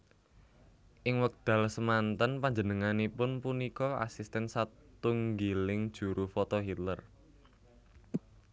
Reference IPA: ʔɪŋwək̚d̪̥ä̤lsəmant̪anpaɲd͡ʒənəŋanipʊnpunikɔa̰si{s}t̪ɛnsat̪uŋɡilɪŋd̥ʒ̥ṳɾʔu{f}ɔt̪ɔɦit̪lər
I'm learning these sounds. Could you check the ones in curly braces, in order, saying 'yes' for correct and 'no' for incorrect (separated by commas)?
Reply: yes, yes